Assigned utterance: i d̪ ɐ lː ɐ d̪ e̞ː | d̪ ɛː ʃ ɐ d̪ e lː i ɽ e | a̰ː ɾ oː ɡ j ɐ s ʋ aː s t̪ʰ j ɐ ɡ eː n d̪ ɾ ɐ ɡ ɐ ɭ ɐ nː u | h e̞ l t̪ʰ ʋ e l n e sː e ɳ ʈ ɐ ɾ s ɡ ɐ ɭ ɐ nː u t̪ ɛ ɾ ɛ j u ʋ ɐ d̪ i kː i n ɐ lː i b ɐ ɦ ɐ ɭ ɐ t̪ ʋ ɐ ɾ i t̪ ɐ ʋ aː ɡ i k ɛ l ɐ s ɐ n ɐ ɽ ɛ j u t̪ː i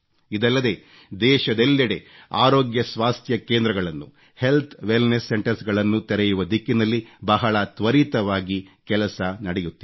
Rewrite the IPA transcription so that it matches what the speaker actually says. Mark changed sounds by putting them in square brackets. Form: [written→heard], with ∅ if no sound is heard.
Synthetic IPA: i d̪ ɐ lː ɐ d̪ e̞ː | d̪ ɛː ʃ ɐ d̪ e lː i ɽ e | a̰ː ɾ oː ɡ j ɐ s ʋ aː s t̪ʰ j ɐ [ɡ→k] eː n d̪ ɾ ɐ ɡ ɐ ɭ ɐ nː u | h e̞ l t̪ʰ ʋ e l n e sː e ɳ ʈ ɐ ɾ s ɡ ɐ ɭ ɐ nː u t̪ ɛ ɾ ɛ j u ʋ ɐ d̪ i kː i n ɐ lː i b ɐ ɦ ɐ ɭ ɐ t̪ ʋ ɐ ɾ i t̪ ɐ ʋ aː ɡ i k ɛ l ɐ s ɐ n ɐ ɽ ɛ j u t̪ː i